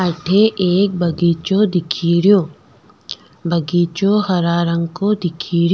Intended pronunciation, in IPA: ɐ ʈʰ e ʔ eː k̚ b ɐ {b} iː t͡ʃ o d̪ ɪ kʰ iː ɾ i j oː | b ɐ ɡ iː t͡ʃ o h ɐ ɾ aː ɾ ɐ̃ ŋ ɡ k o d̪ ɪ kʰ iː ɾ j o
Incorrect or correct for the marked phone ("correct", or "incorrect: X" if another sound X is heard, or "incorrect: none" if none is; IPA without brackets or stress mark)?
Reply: incorrect: ɡ